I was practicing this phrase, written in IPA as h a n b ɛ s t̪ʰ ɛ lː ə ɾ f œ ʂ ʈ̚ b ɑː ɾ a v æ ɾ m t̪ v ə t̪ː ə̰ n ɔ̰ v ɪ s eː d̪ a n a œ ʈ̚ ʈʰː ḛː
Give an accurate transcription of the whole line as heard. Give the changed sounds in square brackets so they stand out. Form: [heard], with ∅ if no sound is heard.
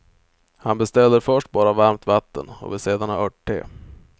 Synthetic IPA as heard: h a n b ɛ s [t̪] ɛ lː ə ɾ f œ ʂ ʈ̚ b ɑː ɾ a v [a] ɾ m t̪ v [a] t̪ː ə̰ n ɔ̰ v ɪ s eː d̪ a n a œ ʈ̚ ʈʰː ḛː